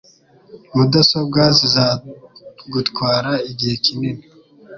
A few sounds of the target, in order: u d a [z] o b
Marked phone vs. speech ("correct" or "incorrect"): incorrect